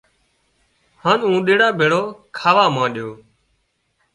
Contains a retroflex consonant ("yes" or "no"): yes